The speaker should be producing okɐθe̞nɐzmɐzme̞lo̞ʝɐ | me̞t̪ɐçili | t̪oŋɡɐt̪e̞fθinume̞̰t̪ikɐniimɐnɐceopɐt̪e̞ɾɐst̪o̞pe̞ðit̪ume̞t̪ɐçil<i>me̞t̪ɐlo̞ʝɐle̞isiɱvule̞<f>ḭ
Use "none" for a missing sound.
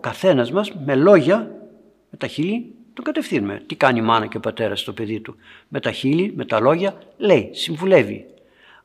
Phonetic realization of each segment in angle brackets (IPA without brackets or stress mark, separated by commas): i, v